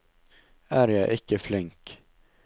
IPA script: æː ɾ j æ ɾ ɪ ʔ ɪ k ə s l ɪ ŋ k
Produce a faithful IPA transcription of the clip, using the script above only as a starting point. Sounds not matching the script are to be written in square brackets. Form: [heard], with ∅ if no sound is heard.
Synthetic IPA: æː ɾ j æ [∅] ɪ ʔ ɪ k ə [f] l ɪ ŋ k